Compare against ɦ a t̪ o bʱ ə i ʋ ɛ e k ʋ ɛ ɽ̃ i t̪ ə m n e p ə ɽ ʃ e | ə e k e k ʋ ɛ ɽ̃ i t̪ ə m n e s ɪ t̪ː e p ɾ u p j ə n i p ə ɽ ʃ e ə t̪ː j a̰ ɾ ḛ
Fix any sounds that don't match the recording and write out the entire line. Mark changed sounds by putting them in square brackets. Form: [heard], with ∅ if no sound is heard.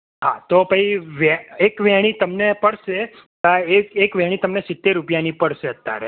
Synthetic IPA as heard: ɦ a t̪ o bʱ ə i ʋ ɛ e k ʋ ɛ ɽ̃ i t̪ ə m n e p ə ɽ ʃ e | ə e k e k ʋ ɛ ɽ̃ i t̪ ə m n e s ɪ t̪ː e [∅] ɾ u p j [a] n i p ə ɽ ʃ e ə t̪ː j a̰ ɾ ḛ